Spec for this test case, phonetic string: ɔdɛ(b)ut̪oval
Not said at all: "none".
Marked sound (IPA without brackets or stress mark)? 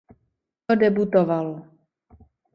b